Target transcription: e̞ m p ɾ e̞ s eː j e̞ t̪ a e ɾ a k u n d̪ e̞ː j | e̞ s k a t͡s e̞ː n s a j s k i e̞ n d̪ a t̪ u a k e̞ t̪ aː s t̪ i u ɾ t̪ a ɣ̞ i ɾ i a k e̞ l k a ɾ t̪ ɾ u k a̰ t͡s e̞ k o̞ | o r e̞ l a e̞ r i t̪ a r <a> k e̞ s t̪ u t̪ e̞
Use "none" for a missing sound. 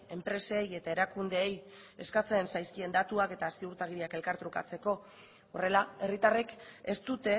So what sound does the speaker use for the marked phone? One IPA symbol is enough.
e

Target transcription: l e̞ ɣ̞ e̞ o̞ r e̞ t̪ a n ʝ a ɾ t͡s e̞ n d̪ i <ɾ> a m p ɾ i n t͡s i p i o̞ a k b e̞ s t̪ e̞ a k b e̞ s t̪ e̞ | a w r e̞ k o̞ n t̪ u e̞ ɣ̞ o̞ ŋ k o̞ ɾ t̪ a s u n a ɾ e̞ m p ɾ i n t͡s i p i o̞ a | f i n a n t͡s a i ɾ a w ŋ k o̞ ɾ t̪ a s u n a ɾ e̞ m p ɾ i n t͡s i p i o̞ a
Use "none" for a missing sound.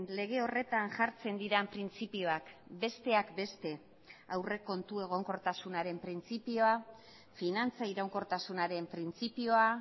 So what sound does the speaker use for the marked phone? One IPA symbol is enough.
ɾ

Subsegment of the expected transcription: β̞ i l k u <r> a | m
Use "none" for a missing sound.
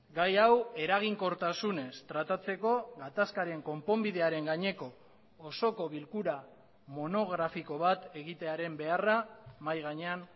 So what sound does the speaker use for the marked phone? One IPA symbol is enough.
ɾ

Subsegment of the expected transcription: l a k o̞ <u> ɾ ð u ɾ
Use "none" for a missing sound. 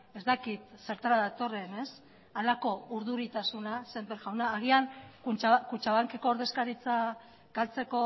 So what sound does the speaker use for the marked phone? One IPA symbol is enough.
u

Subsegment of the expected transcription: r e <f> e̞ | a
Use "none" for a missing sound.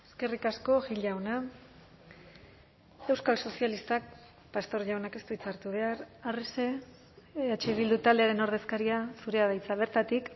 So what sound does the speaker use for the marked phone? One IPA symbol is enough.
s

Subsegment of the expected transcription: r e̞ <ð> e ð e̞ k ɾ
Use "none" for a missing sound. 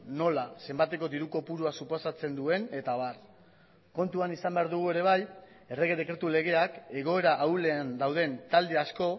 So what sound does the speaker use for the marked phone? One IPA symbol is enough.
ɣ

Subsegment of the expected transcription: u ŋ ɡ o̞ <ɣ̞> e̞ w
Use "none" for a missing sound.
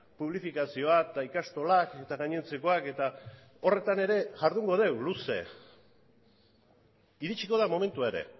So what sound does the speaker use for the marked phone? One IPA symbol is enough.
ð̞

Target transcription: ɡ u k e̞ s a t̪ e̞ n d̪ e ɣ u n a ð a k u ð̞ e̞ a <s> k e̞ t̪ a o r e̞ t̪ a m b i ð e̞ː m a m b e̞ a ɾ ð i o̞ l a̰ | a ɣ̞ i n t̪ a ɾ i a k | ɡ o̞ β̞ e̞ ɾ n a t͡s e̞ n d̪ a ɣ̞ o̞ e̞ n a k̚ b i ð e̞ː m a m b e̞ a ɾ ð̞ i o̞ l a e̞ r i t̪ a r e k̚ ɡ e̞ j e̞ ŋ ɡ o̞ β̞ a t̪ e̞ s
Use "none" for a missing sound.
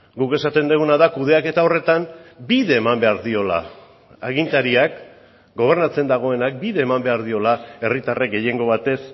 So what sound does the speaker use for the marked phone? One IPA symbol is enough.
none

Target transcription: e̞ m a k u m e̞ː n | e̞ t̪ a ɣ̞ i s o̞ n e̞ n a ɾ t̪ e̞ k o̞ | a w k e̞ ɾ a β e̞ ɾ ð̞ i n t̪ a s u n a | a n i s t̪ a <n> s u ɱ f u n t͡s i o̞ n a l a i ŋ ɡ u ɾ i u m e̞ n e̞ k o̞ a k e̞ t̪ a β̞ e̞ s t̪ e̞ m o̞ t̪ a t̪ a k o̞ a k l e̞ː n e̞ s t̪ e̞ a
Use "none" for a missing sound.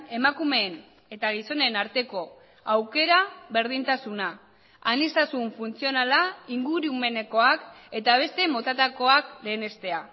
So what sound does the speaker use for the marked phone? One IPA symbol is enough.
none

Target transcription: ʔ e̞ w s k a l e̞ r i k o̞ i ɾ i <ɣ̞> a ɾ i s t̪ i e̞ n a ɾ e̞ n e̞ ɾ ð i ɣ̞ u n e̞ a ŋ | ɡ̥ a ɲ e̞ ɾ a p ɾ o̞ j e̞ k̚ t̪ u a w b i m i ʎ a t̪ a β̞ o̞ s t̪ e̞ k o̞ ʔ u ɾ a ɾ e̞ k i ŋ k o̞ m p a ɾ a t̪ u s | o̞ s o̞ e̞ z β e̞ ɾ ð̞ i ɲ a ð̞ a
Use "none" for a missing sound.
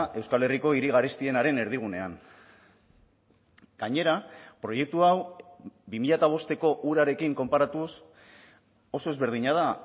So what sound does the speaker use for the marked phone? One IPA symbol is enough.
ɣ̞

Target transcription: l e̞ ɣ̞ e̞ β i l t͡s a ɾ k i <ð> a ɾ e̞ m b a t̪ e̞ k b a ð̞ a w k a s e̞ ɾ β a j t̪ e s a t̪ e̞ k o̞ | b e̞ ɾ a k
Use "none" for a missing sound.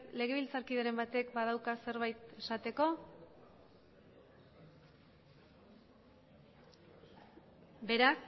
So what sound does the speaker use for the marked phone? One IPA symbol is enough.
ð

